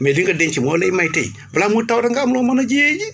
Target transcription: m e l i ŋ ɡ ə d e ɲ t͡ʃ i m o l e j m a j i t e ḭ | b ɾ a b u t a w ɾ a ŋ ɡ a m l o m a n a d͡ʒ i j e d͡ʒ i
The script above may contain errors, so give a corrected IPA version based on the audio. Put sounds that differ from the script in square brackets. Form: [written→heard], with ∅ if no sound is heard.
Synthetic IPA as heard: m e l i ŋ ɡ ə d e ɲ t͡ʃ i m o l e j m a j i t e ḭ | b [ɾ→l] a [b→m] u t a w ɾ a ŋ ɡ a m l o m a n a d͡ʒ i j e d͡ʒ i